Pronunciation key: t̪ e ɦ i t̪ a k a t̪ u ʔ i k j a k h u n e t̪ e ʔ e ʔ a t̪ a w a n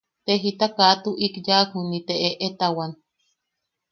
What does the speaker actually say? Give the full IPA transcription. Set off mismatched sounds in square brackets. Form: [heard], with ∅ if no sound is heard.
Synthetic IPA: t̪ e ɦ i t̪ a k a t̪ u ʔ i k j a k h u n [i] t̪ e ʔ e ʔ [e] t̪ a w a n